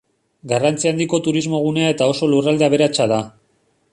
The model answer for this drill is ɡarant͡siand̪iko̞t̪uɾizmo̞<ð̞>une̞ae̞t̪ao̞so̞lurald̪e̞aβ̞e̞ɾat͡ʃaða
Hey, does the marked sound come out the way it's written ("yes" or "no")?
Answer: no